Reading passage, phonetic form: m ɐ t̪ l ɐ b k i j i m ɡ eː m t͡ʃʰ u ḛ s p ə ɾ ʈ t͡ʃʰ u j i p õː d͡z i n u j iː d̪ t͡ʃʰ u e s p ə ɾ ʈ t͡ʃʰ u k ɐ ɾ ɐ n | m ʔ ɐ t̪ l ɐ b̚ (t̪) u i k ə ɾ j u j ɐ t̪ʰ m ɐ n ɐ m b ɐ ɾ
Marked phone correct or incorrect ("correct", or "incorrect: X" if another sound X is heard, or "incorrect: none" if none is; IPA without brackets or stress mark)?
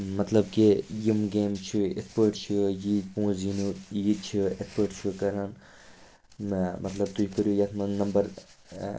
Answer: correct